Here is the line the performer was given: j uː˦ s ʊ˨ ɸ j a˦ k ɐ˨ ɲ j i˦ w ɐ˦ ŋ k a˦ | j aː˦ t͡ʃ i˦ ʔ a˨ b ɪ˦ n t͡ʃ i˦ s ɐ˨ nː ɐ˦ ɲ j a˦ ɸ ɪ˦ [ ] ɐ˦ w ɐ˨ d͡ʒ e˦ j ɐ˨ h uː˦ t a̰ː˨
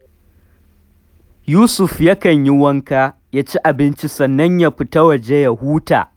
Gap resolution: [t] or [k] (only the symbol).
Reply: t